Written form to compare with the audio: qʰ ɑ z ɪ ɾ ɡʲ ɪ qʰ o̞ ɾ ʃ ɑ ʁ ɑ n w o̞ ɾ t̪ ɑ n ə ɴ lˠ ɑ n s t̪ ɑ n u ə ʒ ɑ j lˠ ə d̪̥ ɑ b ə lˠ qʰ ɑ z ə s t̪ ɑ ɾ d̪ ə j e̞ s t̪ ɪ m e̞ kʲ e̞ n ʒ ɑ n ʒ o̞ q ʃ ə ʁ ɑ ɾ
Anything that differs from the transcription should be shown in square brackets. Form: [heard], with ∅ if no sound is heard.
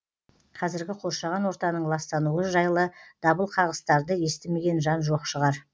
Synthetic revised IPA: qʰ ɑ z ɪ ɾ ɡʲ ɪ qʰ o̞ ɾ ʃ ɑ ʁ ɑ n w o̞ ɾ t̪ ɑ n ə ɴ lˠ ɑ [∅] s t̪ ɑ n u ə ʒ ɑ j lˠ ə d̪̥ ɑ b ə lˠ qʰ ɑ [ʁ] ə s t̪ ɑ ɾ d̪ ə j e̞ s t̪ ɪ m e̞ [ɡʲ] e̞ n ʒ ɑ n ʒ o̞ q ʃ ə ʁ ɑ ɾ